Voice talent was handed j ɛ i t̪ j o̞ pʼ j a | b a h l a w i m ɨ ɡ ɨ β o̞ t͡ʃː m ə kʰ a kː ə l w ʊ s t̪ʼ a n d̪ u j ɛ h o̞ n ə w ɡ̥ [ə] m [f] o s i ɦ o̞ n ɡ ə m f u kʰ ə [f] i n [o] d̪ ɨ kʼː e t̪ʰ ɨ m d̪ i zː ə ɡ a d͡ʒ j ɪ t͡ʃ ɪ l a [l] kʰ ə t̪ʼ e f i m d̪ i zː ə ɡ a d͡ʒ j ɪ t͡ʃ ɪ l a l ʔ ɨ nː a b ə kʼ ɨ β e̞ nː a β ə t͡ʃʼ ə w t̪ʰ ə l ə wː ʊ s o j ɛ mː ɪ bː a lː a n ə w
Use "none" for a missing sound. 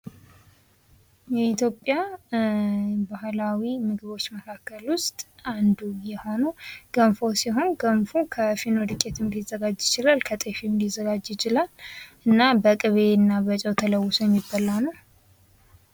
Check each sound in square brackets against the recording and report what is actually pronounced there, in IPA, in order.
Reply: ə, f, f, o, l

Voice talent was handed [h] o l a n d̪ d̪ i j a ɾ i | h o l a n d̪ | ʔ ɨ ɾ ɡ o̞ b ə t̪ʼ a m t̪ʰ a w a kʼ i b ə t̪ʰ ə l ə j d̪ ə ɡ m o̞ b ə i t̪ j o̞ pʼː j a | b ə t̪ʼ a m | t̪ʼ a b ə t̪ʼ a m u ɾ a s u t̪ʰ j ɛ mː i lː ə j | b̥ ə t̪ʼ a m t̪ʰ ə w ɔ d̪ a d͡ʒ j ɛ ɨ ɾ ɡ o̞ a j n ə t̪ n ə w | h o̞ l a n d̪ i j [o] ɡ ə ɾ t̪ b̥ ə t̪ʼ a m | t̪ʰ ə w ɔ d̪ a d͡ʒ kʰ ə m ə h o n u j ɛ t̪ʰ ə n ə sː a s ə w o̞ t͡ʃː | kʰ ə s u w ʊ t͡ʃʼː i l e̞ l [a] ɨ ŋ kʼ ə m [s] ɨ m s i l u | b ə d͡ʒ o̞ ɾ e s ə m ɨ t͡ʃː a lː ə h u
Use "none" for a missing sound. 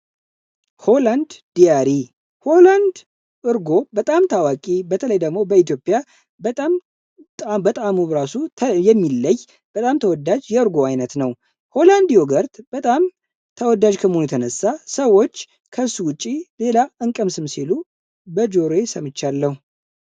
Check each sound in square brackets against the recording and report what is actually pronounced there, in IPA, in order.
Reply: h, o, a, s

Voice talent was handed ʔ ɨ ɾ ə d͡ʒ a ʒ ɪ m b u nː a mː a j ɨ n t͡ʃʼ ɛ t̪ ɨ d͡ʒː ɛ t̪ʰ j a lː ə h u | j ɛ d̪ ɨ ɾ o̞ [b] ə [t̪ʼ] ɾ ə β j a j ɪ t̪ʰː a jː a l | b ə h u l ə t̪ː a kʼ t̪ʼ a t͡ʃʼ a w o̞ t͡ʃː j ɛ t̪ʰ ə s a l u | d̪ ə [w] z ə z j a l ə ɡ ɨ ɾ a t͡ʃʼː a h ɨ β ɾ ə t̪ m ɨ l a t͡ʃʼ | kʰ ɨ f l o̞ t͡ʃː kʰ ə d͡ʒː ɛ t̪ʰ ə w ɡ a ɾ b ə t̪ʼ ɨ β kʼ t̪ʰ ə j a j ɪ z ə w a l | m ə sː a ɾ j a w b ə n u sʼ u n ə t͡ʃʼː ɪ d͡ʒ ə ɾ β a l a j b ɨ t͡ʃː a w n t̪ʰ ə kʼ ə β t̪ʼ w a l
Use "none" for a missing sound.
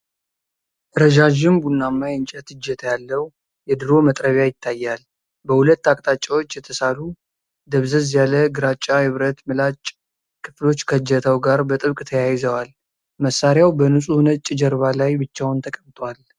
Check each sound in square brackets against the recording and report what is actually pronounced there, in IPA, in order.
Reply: m, t̪ʼ, β

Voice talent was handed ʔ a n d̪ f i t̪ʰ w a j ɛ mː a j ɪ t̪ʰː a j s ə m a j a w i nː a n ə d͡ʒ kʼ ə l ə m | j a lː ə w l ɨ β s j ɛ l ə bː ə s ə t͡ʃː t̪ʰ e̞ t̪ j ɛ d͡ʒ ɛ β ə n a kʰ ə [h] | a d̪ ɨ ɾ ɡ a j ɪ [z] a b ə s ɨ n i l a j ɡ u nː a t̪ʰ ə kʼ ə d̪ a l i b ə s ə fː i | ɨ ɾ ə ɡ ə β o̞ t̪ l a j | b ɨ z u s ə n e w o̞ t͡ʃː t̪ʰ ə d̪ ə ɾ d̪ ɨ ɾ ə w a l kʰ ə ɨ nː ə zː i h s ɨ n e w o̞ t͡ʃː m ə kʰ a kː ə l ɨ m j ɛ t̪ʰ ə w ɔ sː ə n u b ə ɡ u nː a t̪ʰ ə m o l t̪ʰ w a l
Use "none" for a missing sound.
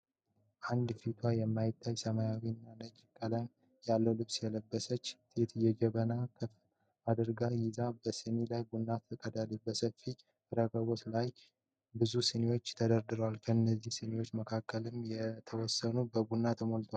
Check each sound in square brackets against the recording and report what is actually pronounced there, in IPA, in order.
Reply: f, z

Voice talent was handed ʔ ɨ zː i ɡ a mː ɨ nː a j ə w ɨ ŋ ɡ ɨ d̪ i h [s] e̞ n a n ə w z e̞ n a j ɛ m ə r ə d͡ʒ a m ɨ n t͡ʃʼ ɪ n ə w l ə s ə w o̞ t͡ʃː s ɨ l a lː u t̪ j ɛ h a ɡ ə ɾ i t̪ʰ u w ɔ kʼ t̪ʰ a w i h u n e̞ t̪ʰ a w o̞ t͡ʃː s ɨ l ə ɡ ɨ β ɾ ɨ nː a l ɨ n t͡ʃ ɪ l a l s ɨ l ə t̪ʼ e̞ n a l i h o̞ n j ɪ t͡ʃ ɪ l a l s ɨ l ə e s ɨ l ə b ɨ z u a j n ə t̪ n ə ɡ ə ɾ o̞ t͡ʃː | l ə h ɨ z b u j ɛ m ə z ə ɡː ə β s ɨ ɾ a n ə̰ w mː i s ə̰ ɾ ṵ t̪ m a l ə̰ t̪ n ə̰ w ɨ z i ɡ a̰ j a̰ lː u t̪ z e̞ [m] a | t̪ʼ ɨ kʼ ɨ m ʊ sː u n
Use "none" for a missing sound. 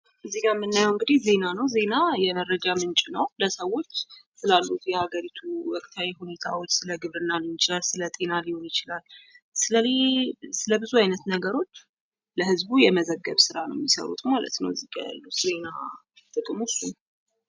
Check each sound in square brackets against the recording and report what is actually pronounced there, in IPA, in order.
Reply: z, n

